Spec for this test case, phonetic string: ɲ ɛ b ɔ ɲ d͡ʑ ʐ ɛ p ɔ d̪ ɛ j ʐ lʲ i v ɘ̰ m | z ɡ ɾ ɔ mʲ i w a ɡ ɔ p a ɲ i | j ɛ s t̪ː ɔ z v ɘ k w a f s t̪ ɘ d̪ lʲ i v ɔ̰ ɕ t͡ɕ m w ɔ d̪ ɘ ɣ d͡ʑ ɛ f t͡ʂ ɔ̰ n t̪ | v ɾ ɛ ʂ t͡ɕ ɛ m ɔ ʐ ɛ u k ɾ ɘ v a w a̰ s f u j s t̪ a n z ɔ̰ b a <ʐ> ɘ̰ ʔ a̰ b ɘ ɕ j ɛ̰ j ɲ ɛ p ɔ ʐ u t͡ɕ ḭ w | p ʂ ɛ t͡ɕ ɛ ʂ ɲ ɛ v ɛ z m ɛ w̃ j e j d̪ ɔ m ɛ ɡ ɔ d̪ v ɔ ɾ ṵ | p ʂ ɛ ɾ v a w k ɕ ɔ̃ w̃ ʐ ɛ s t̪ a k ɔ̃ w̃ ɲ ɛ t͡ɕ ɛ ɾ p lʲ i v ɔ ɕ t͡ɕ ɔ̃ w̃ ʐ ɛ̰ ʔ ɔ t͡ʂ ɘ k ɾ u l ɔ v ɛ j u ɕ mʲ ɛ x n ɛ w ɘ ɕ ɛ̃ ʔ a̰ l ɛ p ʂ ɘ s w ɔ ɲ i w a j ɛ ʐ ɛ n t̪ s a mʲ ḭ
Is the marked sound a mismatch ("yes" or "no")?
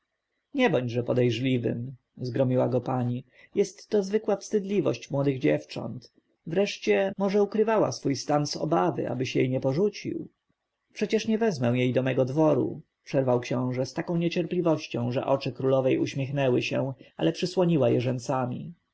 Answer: yes